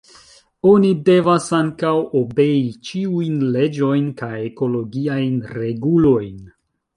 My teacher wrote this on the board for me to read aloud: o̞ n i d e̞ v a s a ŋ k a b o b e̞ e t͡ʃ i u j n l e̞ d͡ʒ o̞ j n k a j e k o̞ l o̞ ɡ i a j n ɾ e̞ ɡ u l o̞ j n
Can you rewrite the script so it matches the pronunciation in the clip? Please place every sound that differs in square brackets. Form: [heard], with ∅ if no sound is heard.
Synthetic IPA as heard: o̞ n i d e̞ v a s a ŋ k a [w] o b e̞ [i] t͡ʃ i u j n l e̞ d͡ʒ o̞ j n k a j e k o̞ l o̞ ɡ i a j n ɾ e̞ ɡ u l o̞ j n